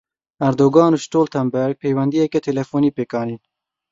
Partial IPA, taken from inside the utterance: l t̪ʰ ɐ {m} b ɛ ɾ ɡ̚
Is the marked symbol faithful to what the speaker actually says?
yes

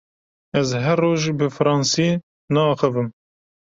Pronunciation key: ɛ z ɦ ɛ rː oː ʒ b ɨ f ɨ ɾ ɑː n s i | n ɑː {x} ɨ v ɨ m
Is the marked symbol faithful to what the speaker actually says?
yes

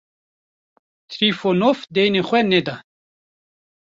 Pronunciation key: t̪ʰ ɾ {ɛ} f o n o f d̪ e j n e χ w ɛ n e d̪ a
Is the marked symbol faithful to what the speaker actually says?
no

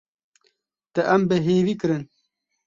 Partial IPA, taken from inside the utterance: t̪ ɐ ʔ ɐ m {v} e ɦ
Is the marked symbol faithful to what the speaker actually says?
no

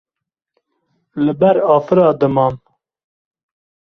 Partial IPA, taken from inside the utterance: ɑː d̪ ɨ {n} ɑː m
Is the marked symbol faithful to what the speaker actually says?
no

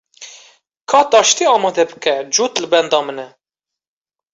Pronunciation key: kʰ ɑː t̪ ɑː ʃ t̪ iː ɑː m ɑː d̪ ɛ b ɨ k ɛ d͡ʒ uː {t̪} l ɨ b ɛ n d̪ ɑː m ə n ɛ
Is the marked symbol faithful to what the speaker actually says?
yes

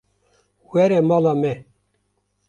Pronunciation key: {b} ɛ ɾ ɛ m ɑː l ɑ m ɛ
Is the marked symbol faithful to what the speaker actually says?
no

